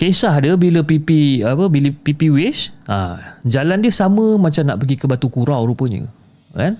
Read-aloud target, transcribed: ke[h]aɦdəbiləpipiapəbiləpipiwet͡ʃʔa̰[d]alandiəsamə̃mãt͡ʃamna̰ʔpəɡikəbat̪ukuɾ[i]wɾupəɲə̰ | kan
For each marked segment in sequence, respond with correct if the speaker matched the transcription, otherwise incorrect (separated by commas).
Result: incorrect, incorrect, incorrect